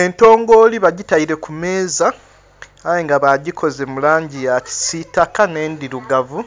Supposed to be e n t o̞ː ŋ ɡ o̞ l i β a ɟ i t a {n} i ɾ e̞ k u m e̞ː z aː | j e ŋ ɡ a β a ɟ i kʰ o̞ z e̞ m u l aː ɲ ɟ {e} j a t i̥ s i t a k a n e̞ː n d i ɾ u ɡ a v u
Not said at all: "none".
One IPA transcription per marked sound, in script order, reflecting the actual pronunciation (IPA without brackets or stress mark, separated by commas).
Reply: none, i